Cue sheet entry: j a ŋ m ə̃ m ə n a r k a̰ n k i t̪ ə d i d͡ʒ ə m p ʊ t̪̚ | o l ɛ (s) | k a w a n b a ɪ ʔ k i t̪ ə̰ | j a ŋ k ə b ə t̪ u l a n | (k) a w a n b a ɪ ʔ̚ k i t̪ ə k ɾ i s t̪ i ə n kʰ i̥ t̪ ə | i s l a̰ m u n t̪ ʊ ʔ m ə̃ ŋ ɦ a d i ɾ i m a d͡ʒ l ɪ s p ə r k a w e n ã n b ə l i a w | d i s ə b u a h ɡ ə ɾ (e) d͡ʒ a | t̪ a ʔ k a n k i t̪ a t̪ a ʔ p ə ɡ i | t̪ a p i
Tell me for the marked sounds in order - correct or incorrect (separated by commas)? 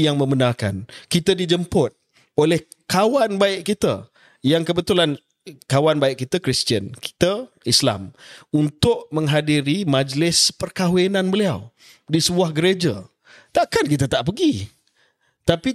incorrect, correct, correct